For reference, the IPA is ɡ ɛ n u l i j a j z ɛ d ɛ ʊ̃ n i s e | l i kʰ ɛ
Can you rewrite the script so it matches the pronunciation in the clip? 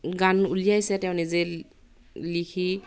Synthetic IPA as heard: ɡ a n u l i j a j s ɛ t ɛ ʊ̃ n i z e | l i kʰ i